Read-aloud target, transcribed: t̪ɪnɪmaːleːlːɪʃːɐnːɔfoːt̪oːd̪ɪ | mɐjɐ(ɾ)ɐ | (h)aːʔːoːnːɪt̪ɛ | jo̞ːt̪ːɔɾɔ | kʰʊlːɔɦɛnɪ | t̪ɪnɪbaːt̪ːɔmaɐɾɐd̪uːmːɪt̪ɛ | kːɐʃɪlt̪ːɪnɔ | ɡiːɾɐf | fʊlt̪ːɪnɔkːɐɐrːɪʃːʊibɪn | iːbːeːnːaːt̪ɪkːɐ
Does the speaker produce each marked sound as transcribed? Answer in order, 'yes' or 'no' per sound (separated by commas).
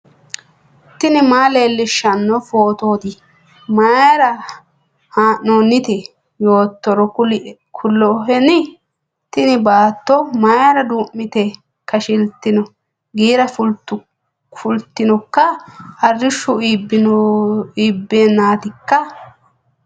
yes, yes